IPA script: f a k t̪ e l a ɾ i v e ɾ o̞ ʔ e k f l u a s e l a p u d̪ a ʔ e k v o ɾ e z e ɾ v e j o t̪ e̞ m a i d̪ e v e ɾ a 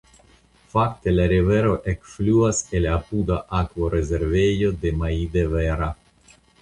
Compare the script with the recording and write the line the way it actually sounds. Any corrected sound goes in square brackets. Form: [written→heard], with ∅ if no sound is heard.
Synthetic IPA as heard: f a k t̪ e l a ɾ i v e ɾ o̞ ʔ e k f l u a s e l a p u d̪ a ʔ [e→a] k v o ɾ e z e ɾ v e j o [t̪→d̪] e̞ m a i d̪ e v e ɾ a